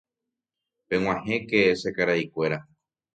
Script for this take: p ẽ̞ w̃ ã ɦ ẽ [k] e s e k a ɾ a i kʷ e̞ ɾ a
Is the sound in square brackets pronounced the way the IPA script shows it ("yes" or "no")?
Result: yes